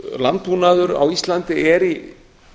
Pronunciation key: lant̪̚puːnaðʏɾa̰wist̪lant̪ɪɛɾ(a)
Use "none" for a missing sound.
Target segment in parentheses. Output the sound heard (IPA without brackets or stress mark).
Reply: i